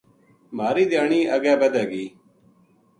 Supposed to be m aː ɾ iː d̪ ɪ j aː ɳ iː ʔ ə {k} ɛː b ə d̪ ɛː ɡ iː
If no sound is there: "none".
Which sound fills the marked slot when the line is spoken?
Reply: ɡ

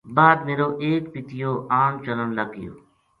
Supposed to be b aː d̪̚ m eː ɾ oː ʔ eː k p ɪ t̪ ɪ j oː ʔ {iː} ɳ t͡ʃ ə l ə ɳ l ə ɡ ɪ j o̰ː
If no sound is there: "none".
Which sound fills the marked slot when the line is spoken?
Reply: aː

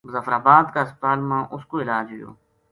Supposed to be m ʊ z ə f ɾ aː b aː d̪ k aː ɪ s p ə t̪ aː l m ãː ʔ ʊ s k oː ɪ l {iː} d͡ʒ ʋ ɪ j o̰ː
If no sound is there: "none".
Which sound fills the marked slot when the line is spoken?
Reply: aː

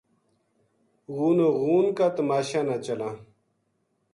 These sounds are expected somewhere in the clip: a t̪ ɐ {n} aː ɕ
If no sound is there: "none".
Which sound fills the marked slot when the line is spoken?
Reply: m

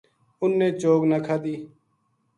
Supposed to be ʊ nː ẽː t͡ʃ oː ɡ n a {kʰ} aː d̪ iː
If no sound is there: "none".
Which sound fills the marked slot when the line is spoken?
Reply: kʰ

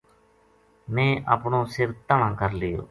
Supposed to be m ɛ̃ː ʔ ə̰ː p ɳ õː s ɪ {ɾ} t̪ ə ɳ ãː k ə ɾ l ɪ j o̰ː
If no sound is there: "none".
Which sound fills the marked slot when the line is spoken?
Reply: ɾ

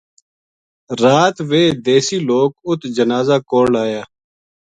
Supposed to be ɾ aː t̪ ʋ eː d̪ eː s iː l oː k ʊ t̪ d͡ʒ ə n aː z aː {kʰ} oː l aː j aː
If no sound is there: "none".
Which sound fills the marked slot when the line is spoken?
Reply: k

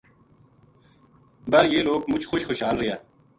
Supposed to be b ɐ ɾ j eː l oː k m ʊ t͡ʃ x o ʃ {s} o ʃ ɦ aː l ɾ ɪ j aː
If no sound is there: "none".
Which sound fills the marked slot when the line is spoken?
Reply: x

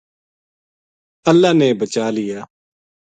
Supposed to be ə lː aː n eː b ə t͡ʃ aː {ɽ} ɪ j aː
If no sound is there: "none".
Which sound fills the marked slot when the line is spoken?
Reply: l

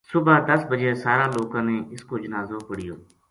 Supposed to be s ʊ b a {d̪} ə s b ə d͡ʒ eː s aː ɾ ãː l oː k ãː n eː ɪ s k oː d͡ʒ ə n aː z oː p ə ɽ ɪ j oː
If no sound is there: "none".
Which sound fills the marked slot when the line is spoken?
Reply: d̪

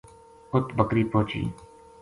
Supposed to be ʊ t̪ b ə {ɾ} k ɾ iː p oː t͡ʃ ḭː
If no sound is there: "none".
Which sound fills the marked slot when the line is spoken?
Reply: none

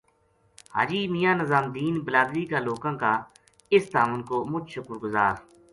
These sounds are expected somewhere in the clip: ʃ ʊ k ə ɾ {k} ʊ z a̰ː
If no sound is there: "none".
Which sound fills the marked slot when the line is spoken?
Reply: ɡ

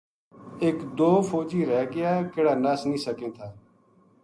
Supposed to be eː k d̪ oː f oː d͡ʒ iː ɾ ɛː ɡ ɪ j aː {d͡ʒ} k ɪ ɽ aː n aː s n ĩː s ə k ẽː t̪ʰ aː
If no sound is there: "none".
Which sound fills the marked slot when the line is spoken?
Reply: none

